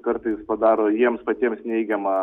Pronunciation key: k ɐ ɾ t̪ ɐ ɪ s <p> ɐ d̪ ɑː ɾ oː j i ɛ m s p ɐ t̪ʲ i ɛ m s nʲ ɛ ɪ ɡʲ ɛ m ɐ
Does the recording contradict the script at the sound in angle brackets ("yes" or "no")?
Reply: no